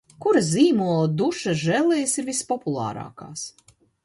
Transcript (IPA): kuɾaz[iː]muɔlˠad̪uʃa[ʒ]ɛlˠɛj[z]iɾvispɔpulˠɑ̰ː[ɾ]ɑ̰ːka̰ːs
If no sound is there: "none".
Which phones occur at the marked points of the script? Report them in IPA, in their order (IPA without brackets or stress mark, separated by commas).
iː, ʒ, s, ɾ